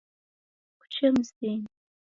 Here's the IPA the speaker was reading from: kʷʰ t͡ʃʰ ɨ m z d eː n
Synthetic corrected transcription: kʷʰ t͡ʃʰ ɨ m z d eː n

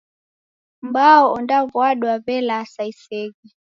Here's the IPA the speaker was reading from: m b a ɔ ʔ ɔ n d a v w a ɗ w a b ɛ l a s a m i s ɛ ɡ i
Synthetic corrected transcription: m b a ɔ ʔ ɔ n d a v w a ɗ w a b ɛ l a s a i s ɛ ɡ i

